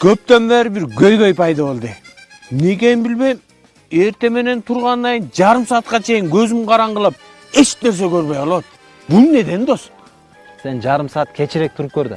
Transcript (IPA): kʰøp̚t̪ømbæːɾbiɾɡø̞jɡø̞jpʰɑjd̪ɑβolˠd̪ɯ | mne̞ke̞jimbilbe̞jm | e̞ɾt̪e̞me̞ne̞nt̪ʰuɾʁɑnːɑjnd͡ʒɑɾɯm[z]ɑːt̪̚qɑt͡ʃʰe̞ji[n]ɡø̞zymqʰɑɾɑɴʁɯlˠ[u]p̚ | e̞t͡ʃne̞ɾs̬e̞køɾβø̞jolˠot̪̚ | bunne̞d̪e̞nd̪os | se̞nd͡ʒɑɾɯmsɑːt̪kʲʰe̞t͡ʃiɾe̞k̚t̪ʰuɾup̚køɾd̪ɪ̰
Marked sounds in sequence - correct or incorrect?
incorrect, incorrect, incorrect

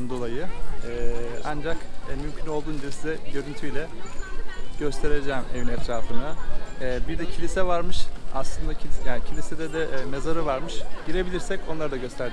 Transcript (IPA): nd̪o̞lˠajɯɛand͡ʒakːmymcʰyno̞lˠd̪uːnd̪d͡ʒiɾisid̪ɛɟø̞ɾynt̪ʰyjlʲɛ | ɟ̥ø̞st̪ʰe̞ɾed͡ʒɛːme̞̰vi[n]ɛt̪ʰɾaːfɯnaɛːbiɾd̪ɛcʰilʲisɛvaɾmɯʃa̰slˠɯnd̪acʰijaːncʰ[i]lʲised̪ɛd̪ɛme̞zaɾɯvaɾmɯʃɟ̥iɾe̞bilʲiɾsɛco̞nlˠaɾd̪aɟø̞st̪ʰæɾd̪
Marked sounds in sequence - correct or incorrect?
correct, correct

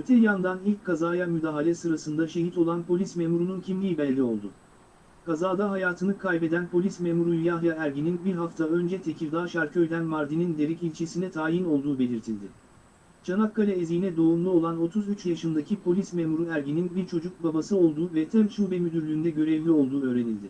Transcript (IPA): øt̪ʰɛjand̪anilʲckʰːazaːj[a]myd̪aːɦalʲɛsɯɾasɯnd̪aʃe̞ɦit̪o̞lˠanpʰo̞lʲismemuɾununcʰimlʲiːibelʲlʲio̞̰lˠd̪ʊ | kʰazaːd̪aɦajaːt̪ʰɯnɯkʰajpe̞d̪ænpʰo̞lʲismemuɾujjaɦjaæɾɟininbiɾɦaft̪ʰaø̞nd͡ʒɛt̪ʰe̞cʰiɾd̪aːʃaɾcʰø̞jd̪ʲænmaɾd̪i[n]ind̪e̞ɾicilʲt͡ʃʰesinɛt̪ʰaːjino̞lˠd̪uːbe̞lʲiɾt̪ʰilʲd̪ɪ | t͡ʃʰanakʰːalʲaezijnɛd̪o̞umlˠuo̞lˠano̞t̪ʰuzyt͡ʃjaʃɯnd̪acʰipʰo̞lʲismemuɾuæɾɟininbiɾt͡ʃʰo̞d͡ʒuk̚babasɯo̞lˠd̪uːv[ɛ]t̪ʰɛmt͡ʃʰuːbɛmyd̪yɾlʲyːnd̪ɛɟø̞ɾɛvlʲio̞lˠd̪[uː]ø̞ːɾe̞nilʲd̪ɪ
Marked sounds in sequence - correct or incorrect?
correct, correct, correct, correct

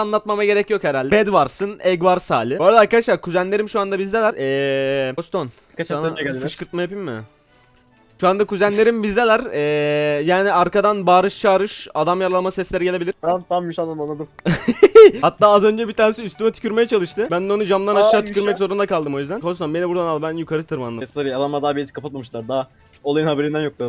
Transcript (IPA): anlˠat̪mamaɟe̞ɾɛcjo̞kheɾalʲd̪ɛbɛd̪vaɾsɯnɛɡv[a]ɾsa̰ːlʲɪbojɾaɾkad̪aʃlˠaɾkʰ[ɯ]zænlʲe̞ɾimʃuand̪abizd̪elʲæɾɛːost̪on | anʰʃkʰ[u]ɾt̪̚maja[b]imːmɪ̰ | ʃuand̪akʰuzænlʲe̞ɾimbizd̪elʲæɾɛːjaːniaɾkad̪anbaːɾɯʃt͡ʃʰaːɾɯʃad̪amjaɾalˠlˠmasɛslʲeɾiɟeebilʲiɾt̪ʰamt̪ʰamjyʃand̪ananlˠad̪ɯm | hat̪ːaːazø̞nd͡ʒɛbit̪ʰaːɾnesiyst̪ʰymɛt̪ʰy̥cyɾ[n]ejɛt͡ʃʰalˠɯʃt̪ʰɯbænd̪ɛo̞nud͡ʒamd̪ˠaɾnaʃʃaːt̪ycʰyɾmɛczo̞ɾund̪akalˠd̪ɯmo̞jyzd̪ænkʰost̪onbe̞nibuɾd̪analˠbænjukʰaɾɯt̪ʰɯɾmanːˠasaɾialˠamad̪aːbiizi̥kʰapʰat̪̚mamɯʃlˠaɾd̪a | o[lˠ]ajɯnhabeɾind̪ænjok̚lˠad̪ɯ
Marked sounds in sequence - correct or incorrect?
correct, incorrect, incorrect, incorrect, incorrect, correct

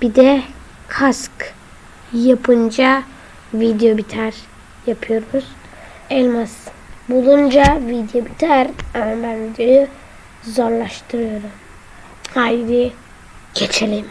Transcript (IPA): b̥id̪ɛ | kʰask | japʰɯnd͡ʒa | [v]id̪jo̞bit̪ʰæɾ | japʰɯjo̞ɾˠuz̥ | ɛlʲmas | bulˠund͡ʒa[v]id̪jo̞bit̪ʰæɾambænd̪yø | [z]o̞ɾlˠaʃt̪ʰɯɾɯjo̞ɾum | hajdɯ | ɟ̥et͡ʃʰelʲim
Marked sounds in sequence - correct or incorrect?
correct, correct, correct

